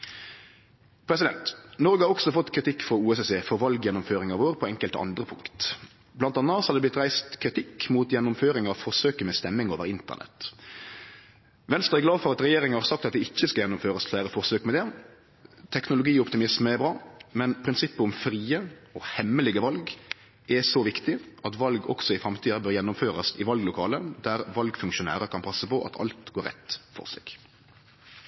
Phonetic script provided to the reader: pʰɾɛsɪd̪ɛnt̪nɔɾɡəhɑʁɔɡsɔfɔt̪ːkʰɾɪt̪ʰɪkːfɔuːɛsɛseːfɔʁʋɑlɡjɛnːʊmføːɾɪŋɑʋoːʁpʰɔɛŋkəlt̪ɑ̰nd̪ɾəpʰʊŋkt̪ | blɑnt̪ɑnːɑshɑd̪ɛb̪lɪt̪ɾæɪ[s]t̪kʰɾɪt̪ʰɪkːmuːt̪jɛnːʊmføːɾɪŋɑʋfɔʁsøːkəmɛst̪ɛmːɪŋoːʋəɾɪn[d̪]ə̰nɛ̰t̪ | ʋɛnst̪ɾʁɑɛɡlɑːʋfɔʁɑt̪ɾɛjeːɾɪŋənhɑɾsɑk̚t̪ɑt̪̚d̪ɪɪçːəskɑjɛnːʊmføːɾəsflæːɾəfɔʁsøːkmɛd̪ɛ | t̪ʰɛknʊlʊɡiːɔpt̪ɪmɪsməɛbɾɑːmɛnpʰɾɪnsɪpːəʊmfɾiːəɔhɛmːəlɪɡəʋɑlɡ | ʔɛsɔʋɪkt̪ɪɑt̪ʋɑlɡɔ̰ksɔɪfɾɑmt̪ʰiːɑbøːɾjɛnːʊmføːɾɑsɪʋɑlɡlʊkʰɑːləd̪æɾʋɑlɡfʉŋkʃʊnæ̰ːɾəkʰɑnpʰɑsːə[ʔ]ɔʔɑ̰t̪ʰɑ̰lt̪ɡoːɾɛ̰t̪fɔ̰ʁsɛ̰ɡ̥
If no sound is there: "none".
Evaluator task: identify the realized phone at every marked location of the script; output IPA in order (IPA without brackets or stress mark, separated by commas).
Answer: s, t̪, p